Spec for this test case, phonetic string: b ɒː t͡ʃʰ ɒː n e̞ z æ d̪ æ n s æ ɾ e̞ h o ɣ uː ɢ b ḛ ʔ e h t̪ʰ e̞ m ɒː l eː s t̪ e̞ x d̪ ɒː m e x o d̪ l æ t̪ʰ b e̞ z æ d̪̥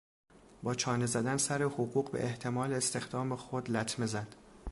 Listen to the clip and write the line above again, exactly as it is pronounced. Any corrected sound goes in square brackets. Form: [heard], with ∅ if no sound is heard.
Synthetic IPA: b ɒː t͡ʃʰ ɒː n e̞ z æ d̪ æ n s æ ɾ e̞ h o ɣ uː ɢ b ḛ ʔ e h t̪ʰ e̞ m ɒː l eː s t̪ e̞ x d̪ ɒː m e x o d̪ l æ t̪ʰ [m] e̞ z æ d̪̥